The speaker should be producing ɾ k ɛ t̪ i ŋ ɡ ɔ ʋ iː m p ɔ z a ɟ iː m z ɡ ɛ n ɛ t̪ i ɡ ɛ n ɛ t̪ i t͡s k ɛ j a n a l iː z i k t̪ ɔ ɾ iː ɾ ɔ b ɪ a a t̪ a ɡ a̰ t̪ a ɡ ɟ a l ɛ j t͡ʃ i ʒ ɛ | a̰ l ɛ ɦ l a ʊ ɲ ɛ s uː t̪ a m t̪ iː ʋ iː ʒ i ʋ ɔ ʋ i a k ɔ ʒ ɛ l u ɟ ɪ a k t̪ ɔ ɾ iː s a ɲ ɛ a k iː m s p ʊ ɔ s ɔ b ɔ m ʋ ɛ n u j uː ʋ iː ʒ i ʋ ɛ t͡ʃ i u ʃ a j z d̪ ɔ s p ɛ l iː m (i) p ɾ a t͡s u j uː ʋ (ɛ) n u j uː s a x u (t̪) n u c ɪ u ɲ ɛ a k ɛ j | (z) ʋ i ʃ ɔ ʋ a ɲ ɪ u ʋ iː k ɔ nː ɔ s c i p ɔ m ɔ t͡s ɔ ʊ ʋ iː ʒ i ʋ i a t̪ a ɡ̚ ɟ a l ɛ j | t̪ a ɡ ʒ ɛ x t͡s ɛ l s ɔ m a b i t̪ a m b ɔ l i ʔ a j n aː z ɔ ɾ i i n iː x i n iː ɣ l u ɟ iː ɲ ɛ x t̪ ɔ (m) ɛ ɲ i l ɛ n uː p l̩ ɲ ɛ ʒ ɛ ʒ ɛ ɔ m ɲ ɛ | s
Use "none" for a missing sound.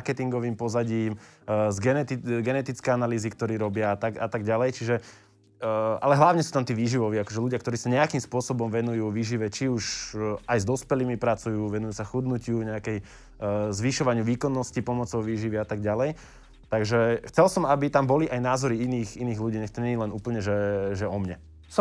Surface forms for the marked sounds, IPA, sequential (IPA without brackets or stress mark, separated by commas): i, ɛ, d̪, z, ɲ